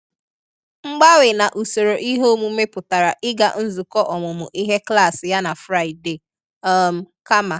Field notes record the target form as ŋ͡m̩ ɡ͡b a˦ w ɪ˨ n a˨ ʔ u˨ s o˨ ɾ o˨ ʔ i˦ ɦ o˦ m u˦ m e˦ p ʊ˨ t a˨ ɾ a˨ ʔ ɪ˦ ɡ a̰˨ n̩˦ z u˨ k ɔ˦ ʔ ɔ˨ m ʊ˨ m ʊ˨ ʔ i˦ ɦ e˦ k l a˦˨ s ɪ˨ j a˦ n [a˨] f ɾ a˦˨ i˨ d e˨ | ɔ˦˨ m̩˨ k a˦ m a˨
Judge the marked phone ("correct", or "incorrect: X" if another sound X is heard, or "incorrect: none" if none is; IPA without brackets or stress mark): correct